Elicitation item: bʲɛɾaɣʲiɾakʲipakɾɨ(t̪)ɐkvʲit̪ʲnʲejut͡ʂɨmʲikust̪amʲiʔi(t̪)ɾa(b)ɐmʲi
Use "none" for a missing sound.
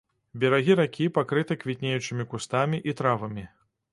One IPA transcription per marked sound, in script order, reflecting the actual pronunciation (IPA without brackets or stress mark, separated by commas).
t̪, t̪, v